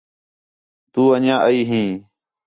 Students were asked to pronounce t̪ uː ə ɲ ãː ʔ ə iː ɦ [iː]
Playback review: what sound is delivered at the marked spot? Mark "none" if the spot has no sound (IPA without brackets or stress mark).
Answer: ĩː